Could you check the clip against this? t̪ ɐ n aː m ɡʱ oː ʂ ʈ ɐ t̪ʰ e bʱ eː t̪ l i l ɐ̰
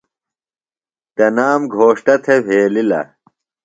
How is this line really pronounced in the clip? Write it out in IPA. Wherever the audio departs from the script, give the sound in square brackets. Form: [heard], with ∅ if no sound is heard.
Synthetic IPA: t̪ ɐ n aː m ɡʱ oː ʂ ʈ ɐ t̪ʰ e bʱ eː [∅] l i l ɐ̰